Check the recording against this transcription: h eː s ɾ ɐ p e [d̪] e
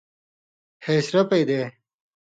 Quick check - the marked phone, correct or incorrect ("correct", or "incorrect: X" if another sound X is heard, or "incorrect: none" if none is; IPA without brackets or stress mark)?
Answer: correct